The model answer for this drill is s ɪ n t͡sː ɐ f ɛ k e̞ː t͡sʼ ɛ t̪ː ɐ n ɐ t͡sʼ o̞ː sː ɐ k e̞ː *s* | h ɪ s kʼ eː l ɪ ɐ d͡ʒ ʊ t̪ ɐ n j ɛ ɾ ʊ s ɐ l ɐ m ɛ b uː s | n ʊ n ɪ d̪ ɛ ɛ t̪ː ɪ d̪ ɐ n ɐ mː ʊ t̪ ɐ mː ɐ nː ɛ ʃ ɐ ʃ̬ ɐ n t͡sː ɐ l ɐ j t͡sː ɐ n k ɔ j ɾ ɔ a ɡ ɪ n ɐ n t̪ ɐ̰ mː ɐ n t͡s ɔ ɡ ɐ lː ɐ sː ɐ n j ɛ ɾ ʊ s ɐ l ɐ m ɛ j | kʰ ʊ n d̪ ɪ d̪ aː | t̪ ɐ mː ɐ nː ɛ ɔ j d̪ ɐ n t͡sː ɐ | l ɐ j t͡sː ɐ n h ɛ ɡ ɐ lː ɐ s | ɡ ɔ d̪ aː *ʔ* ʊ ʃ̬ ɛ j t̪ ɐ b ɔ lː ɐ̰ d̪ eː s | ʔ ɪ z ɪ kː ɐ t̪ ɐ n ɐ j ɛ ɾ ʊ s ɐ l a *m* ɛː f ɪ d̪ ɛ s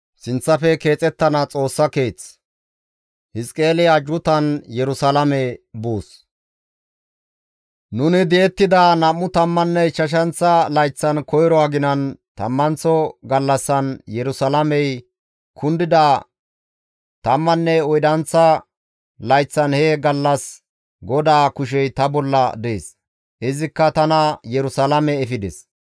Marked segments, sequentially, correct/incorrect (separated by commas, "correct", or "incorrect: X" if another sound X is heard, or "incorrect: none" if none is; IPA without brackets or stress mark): incorrect: t͡s, incorrect: k, correct